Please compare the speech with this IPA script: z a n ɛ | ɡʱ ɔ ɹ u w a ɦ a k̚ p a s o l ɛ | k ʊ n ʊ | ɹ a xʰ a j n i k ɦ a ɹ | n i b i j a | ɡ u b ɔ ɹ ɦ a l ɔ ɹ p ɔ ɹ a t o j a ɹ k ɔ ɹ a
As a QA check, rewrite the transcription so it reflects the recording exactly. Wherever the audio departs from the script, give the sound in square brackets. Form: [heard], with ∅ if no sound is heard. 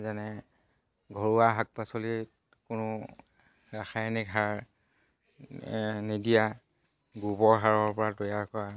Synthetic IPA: z a n ɛ | ɡʱ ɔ ɹ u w a ɦ a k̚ p a s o l [i] | k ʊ n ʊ | ɹ a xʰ a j n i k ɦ a ɹ | n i [d] i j a | ɡ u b ɔ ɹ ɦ a [ɹ] ɔ ɹ p ɔ ɹ a t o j a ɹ k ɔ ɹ a